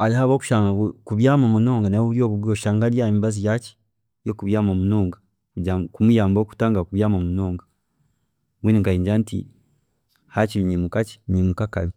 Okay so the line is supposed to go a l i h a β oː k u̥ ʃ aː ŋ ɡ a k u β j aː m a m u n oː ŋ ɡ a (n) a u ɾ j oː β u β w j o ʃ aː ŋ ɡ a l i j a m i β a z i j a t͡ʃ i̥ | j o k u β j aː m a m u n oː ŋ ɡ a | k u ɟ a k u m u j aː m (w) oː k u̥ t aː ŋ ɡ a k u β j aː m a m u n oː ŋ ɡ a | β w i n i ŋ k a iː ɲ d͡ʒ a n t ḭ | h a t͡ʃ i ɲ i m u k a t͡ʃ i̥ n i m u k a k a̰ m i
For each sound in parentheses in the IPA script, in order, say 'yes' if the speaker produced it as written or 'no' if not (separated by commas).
yes, no